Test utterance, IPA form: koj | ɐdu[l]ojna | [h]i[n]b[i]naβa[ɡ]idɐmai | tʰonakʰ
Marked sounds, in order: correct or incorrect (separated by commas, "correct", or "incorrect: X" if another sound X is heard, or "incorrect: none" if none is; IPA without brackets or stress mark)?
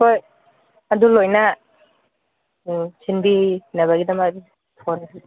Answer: correct, incorrect: s, correct, correct, correct